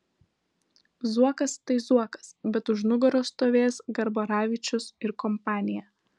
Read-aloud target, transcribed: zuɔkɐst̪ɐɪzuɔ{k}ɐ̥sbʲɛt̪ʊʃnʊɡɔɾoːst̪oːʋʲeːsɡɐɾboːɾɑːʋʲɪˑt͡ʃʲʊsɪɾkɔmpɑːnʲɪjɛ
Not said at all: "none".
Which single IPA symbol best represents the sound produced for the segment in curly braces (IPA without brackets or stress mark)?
k